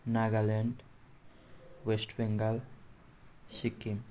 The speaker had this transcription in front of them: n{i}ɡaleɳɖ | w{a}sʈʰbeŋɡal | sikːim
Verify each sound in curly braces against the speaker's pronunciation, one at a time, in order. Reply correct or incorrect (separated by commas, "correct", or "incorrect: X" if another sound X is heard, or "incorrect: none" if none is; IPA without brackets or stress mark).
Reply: incorrect: a, incorrect: e